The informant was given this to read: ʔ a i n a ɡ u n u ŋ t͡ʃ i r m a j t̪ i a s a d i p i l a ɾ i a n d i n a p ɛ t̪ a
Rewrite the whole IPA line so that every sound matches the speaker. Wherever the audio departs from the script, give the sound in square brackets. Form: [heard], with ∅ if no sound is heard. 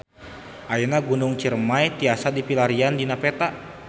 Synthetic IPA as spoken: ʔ a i n a ɡ u n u ŋ t͡ʃ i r m a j t̪ i a s a d i p i l a ɾ i a n d i n a p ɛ t̪ a